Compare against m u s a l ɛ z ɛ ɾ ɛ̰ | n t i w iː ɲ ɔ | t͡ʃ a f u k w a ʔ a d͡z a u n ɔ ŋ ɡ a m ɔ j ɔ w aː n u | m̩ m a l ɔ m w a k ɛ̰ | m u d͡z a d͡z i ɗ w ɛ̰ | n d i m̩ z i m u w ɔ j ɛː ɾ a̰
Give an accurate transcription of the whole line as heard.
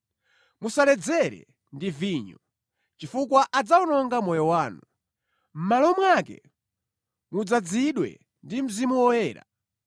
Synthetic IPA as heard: m u s a l ɛ d͡z ɛ ɾ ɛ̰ | n d i v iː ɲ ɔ | t͡ʃ i f u k w a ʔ a d͡z a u n ɔ ŋ ɡ a m ɔ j ɔ w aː n u | m̩ m a l ɔ m w a k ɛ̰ | m u d͡z a d͡z i ɗ w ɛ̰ | n d i m̩ z i m u w ɔ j ɛː ɾ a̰